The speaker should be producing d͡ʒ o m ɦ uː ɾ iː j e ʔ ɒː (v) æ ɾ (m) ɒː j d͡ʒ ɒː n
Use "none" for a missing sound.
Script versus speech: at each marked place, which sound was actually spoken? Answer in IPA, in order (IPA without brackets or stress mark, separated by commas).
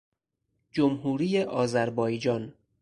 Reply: z, b